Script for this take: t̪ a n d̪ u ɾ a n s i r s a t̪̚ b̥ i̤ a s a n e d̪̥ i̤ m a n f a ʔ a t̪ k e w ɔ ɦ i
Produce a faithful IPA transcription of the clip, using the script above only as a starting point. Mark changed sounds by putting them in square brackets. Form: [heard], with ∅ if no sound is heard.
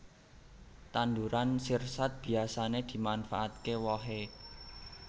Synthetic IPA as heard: t̪ a n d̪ u ɾ a n s i r s a t̪̚ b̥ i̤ a s a n e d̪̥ i̤ m a n f a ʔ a t̪ k e w ɔ ɦ [e]